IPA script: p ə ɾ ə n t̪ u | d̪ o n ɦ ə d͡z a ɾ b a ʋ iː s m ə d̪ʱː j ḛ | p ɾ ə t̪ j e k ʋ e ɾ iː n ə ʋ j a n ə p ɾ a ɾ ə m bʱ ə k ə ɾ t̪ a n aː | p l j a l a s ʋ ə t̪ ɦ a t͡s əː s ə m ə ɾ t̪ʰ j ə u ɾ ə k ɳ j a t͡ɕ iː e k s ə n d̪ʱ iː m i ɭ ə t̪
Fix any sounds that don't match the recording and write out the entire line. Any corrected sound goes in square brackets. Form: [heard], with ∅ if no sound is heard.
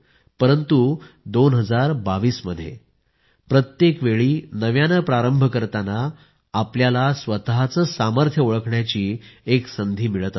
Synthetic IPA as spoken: p ə ɾ ə n t̪ u | d̪ o n ɦ ə d͡z a ɾ b a ʋ iː s m ə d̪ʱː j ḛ | p ɾ ə t̪ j e k ʋ e [ɭ] iː n ə ʋ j a n ə p ɾ a ɾ ə m bʱ ə k ə ɾ t̪ a n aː | p l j a l a s ʋ ə t̪ ɦ a t͡s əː s [a] m ə ɾ t̪ʰ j ə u [ɭ] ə k ɳ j a t͡ɕ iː e k s ə n d̪ʱ iː m i ɭ ə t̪